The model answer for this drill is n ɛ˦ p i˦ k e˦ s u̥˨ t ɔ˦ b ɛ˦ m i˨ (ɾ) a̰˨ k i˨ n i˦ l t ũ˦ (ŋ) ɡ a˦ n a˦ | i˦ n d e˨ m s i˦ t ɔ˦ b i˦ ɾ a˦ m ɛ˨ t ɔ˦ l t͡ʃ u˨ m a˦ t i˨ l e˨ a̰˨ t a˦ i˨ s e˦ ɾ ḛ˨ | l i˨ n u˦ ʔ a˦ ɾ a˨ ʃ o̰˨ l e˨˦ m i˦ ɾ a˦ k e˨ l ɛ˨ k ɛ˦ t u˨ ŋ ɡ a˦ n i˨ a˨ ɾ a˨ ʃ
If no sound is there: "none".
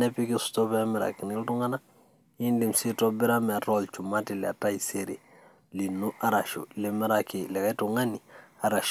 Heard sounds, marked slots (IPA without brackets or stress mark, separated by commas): ɾ, ŋ